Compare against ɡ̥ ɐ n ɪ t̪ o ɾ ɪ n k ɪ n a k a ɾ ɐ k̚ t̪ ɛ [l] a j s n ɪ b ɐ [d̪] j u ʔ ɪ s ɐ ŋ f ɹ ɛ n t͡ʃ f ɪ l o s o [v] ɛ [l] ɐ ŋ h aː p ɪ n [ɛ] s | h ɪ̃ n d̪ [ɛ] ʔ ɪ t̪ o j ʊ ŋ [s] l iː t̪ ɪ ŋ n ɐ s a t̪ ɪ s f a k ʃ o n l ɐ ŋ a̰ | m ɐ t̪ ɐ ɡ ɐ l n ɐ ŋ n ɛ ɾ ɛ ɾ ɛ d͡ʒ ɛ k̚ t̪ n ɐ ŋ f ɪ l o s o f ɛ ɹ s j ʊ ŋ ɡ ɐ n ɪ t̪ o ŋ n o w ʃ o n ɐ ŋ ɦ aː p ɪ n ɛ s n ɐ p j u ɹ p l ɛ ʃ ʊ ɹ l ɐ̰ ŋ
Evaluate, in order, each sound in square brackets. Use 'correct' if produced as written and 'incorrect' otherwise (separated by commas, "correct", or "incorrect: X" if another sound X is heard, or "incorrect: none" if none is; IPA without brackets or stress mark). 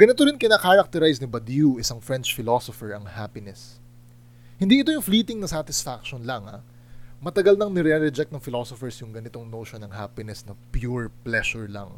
incorrect: ɾ, correct, incorrect: f, incorrect: ɹ, correct, incorrect: i, incorrect: f